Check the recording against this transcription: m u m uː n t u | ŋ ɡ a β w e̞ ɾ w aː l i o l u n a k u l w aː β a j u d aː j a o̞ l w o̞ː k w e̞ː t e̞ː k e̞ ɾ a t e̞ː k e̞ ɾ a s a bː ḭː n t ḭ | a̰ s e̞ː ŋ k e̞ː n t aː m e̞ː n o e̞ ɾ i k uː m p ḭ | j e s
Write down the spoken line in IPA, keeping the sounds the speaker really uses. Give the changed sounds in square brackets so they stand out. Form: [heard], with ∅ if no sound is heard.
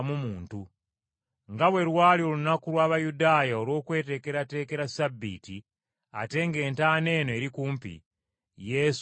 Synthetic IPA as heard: m u m uː n t u | ŋ ɡ a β w e̞ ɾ w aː l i o l u n a k u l w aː β a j u d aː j a o̞ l w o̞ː k w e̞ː t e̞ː k e̞ ɾ a t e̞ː k e̞ ɾ a s a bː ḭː [∅] t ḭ | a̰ [t] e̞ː ŋ [ɡ] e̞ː n t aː [n] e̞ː n o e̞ ɾ i k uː m p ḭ | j e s